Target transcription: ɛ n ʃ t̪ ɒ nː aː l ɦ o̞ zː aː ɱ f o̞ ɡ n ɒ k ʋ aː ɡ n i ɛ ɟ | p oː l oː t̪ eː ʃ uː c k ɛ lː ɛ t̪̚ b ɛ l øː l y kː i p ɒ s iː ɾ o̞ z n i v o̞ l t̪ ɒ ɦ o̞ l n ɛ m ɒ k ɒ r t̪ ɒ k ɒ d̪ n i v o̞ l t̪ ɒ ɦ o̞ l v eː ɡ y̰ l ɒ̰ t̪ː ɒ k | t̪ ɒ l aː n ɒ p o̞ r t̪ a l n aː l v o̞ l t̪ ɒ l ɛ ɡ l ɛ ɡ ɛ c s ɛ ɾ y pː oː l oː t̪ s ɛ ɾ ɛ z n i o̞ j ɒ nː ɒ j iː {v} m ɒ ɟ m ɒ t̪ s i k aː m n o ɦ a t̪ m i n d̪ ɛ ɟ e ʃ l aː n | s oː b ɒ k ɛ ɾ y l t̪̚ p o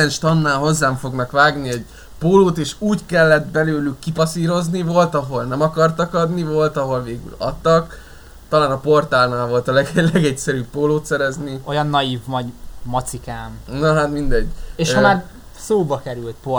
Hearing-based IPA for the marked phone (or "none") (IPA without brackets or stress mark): v